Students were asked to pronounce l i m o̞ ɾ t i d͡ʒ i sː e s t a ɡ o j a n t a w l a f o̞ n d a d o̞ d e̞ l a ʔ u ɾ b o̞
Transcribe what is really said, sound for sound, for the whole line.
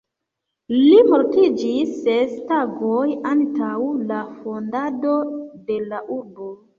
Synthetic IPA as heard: l i m o̞ ɾ t i d͡ʒ i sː e s t a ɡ o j a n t a w l a f o̞ n d a d o̞ d e̞ l a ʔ u ɾ b o̞